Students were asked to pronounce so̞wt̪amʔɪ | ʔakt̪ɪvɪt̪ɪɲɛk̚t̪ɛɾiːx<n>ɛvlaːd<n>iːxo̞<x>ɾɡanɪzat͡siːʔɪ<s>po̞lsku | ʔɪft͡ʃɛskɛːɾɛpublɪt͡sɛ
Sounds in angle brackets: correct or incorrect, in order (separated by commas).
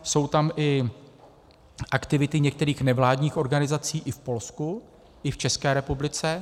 correct, incorrect, incorrect, incorrect